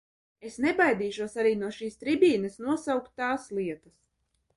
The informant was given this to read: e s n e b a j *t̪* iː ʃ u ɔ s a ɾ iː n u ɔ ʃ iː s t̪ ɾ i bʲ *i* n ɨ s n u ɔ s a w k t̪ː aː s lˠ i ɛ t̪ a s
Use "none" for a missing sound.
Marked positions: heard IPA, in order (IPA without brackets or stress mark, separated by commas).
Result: d̪, iː